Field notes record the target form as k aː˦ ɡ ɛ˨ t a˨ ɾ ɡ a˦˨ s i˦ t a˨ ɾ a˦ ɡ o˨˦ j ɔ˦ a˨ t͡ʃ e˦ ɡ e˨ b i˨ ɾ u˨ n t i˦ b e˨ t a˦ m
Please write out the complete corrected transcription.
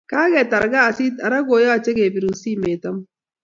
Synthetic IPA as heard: k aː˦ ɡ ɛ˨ t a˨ ɾ ɡ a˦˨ s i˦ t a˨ ɾ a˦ ɡ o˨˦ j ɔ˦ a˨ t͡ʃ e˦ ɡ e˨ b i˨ ɾ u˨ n s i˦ m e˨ t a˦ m